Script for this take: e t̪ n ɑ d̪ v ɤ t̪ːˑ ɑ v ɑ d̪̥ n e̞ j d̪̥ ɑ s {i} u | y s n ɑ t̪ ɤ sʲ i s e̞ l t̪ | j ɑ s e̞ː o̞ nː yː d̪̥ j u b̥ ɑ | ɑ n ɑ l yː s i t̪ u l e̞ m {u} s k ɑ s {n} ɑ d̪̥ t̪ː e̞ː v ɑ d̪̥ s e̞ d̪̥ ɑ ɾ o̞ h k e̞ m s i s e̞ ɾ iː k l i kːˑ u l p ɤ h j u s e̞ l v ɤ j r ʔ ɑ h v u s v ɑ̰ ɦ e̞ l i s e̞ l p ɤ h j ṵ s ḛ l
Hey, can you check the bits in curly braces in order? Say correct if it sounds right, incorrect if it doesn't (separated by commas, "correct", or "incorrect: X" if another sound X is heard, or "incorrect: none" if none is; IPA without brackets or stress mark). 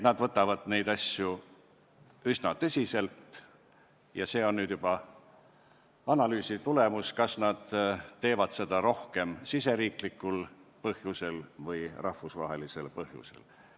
incorrect: j, correct, correct